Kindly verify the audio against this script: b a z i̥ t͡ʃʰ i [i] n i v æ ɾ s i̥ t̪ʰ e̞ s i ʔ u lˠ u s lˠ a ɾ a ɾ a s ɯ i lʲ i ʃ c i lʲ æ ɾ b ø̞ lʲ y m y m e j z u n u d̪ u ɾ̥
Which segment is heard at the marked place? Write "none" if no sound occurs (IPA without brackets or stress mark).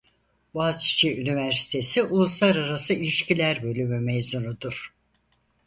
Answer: y